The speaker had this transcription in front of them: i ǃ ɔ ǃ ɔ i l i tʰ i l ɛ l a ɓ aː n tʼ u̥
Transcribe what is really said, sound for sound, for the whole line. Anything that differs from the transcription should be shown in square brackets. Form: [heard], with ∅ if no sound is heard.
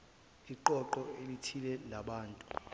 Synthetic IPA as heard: i ǃ ɔ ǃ ɔ [e] l i tʰ i l ɛ l a ɓ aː n tʼ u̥